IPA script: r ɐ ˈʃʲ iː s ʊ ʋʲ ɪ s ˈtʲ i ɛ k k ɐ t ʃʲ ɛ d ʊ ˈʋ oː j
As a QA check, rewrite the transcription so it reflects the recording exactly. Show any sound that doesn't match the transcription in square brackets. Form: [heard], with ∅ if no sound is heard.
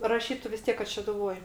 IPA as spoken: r ɐ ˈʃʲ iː [t] ʊ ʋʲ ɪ s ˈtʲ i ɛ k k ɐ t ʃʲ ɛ d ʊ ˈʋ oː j